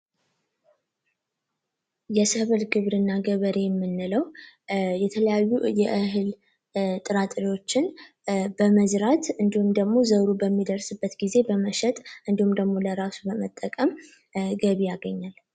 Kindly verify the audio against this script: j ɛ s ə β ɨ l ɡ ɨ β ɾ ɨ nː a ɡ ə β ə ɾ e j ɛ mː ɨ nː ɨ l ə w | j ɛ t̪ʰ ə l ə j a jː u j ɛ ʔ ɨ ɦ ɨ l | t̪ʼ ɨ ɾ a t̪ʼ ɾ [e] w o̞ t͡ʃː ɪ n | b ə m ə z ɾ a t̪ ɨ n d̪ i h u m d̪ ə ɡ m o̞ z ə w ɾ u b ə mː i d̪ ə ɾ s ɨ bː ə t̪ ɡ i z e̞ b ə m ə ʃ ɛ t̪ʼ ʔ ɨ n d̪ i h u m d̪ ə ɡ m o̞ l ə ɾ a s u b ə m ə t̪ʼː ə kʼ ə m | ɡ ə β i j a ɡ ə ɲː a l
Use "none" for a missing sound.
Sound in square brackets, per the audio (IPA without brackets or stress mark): i